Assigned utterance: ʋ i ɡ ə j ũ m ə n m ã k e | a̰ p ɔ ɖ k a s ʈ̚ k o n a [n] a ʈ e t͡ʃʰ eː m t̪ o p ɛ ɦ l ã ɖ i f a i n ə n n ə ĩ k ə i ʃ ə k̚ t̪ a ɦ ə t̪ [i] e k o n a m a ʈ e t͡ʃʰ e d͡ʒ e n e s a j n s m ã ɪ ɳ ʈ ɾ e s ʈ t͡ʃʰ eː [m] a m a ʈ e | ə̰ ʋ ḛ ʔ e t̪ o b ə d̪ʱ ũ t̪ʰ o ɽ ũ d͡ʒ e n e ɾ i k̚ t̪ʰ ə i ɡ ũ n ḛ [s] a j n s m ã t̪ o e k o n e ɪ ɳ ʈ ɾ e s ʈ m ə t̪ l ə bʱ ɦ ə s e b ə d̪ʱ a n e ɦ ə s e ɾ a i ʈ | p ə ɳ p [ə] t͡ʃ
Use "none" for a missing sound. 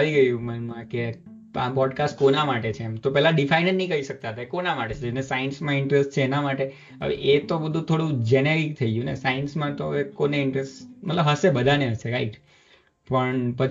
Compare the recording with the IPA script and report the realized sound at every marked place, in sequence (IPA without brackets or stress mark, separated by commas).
m, a, n, s, ə